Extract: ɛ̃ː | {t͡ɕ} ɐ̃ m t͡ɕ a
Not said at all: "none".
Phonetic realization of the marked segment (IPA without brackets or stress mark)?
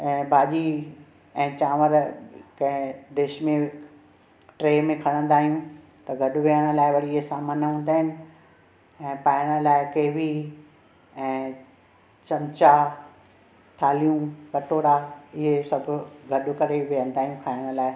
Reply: t͡ɕ